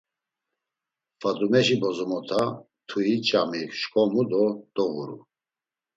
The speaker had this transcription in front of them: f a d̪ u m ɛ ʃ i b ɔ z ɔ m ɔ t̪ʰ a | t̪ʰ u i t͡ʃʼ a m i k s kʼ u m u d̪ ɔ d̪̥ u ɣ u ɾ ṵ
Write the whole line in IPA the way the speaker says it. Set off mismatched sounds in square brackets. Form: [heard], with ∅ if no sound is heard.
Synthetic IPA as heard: f a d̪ u m ɛ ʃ i b ɔ z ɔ m ɔ t̪ʰ a | t̪ʰ u i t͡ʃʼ a m i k [ʃ] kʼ [ɔ] m u d̪ ɔ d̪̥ [ɔ] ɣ u ɾ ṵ